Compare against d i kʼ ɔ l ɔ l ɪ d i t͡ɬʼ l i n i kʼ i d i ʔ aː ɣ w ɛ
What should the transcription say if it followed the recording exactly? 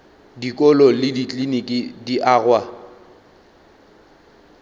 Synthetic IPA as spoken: d i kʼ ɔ l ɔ l ɪ d i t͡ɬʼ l i n i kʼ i d i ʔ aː ɣ w a